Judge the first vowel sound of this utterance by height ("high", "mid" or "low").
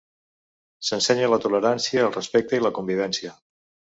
mid